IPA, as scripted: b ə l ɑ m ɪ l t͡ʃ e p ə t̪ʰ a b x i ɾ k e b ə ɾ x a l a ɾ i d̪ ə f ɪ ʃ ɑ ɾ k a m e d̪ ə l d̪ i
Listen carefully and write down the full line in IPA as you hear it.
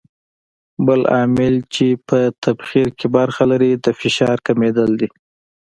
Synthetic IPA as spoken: b ə l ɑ m ɪ l t͡ʃ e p ə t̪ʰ a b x i ɾ k e b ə ɾ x a l a ɾ i d̪ ə f ɪ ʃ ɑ ɾ k a m e d̪ ə l d̪ i